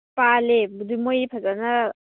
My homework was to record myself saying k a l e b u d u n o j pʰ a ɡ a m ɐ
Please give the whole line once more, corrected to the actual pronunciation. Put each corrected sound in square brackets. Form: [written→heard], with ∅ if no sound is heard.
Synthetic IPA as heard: [k→p] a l e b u d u [n→m] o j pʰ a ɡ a [m→n] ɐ